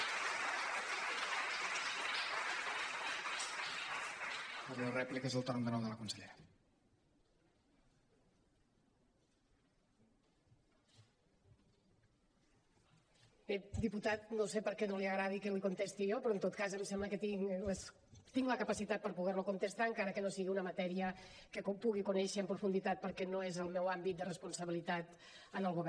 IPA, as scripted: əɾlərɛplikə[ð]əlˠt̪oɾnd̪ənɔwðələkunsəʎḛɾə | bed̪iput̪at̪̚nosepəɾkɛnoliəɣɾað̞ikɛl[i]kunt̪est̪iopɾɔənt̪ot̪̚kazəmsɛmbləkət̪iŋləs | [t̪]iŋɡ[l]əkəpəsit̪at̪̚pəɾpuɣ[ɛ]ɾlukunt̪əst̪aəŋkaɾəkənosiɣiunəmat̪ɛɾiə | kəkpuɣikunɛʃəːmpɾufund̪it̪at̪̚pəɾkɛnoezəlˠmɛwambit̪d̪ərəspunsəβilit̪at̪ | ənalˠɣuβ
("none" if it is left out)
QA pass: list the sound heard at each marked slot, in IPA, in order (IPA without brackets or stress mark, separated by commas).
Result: z, i, t̪, l, ɛ